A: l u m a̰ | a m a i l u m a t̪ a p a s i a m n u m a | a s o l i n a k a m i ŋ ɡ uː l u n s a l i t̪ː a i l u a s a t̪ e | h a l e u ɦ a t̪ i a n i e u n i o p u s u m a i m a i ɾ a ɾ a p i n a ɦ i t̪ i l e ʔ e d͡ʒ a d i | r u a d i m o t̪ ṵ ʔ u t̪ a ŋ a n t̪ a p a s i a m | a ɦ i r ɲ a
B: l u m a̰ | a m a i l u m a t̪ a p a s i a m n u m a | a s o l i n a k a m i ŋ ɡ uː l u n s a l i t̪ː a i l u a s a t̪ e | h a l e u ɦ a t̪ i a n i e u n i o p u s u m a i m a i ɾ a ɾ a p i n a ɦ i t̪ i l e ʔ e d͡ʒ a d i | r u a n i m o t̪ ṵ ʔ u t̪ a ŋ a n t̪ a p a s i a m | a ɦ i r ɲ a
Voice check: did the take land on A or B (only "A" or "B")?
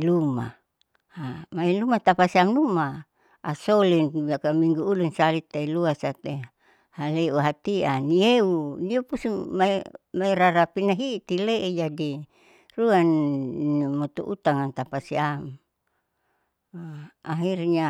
B